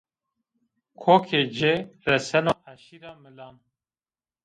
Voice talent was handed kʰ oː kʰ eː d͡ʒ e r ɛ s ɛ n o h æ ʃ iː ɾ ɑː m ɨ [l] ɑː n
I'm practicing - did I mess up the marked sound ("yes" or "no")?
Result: no